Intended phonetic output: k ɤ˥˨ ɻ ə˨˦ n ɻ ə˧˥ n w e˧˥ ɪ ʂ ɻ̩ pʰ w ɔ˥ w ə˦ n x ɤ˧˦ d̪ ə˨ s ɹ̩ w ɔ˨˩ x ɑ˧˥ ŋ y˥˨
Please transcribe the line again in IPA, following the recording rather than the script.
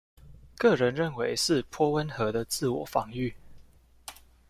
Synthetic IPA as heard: k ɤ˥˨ ɻ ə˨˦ n ɻ ə˥˩ n w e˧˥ ɪ ʂ ɻ̩ pʰ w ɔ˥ w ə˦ n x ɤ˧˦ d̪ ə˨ t͡s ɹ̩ w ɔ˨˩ f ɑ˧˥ ŋ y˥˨

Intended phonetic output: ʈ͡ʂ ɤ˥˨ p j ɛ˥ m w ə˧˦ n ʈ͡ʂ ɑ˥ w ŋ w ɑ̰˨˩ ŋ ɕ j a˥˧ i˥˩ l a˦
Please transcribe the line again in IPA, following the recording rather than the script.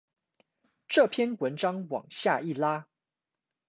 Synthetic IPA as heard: ʈ͡ʂ ɤ˥˨ pʰ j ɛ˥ n w ə˧˦ n ʈ͡ʂ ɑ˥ ŋ w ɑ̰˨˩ ŋ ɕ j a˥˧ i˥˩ l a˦

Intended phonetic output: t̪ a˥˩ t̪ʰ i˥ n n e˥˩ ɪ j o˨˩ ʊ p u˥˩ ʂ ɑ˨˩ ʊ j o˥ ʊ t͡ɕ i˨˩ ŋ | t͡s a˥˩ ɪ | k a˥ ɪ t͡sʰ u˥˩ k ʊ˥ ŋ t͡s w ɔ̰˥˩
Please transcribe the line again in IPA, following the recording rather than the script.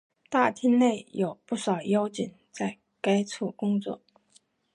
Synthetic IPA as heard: t̪ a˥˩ t̪ʰ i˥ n n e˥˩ ɪ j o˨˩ ʊ p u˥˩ ʂ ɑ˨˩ ʊ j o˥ ʊ t͡ɕ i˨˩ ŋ | t͡s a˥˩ ɪ | k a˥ ɪ t͡sʰ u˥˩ k ʊ˥ ŋ t͡s w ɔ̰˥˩

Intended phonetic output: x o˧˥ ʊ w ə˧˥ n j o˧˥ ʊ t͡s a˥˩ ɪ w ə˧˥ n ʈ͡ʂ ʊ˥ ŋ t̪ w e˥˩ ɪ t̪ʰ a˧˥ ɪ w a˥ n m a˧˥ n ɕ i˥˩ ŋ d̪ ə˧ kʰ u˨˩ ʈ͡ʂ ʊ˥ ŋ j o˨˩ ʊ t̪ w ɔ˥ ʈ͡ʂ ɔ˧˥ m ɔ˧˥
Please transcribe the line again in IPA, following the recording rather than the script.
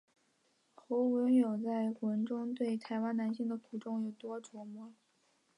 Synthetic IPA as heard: x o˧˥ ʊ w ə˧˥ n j o˨˩ ʊ t͡s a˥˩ ɪ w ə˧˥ n ʈ͡ʂ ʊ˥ ŋ t̪ w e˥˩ ɪ t̪ʰ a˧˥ ɪ w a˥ n n a˧˥ n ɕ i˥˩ ŋ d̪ ə˩ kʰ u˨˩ ʈ͡ʂ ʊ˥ ŋ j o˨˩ ʊ t̪ w ɔ˥ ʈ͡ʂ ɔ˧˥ m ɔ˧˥

